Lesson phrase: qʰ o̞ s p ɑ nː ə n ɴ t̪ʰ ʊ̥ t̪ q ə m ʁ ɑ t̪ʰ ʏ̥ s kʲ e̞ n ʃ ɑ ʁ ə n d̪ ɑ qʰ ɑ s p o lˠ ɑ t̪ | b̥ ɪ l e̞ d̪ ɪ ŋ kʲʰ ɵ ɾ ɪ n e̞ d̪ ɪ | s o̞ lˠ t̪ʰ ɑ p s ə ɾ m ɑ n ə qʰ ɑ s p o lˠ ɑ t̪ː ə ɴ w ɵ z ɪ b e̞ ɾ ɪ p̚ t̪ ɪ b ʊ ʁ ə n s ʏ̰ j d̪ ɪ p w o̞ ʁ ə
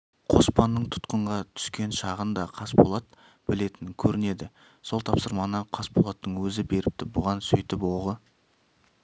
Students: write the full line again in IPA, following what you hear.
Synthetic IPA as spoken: qʰ o̞ s p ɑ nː ə ɴ t̪ʰ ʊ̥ t̪ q ə ɴ ʁ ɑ t̪ʰ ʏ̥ s kʲ e̞ n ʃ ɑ ʁ ə n d̪ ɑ qʰ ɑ s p o lˠ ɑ t̪ | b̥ ɪ l e̞ t̪ ɪ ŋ kʲʰ ɵ ɾ ɪ n e̞ d̪ ɪ | s o̞ lˠ t̪ʰ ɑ p s ə ɾ m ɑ n ə qʰ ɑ s p o lˠ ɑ t̪ː ə ɴ w ɵ z ɪ b e̞ ɾ ɪ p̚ t̪ ɪ b ʊ ʁ ɑ n s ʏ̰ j t̪ ɪ p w o̞ ʁ ə